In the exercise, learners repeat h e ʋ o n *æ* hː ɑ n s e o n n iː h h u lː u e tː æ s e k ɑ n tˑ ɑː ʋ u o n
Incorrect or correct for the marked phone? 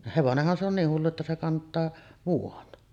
incorrect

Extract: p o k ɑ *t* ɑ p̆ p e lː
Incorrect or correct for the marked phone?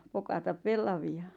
correct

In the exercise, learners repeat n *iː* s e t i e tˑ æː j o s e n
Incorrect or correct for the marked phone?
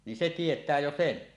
incorrect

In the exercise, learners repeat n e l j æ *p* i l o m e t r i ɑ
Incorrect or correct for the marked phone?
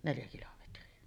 incorrect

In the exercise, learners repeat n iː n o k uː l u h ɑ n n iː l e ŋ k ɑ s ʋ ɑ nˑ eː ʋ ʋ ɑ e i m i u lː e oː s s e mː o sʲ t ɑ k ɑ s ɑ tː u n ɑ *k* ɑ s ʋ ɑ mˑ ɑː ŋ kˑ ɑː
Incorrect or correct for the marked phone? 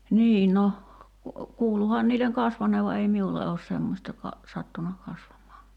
correct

